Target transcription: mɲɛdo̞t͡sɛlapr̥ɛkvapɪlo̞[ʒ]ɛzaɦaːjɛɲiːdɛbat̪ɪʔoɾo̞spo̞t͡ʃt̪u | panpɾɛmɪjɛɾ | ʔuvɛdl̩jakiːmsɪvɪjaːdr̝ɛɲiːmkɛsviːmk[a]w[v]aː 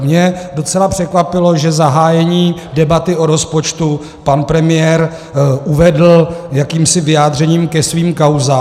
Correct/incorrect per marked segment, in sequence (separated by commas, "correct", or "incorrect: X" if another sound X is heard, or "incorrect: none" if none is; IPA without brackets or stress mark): correct, correct, incorrect: z